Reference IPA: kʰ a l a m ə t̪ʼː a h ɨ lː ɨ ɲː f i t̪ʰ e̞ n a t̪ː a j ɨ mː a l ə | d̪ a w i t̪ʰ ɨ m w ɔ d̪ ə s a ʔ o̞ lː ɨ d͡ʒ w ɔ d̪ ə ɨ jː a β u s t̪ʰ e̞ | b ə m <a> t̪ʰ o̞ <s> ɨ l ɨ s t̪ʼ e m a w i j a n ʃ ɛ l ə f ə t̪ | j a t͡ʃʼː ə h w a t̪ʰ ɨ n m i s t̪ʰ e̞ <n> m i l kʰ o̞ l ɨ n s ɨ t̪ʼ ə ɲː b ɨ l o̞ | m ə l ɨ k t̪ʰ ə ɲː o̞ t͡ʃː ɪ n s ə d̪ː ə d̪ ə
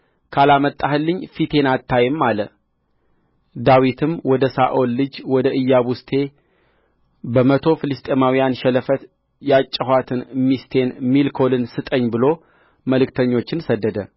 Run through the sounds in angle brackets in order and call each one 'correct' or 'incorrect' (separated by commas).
incorrect, incorrect, correct